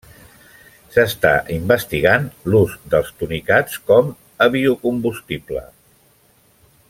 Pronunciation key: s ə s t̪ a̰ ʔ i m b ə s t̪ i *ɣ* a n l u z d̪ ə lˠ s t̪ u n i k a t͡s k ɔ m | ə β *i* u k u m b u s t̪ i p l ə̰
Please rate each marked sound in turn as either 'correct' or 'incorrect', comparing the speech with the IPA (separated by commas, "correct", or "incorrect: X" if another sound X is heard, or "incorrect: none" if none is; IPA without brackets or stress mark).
correct, correct